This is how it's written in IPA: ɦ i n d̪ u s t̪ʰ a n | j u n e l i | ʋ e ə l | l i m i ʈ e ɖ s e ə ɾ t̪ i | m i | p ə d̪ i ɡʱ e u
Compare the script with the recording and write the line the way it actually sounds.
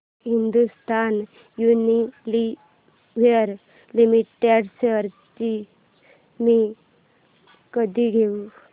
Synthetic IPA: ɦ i n d̪ u s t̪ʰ a n | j u n i l i | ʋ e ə ɾ | l i m i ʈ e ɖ s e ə ɾ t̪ i | m i | k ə d̪ i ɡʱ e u